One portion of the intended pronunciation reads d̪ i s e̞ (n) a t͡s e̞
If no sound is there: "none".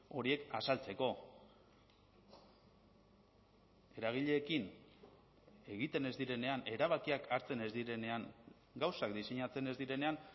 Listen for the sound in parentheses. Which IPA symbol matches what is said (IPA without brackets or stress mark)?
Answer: ɲ